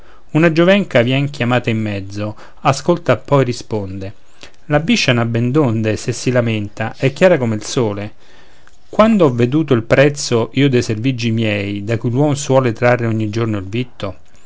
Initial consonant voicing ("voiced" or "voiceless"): voiced